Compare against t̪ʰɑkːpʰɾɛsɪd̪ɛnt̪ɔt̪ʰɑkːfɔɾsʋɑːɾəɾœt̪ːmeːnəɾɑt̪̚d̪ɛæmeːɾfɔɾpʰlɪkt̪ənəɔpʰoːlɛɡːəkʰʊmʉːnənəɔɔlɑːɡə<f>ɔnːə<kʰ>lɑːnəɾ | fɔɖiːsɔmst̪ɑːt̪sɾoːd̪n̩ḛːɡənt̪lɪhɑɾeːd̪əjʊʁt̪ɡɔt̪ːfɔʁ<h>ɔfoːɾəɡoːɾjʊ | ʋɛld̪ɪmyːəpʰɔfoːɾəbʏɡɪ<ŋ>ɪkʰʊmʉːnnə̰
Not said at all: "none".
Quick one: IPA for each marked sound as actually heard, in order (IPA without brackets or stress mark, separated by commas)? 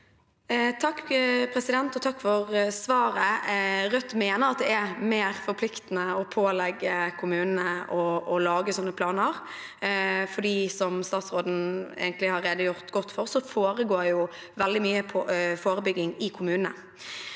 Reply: s, pʰ, s, ŋ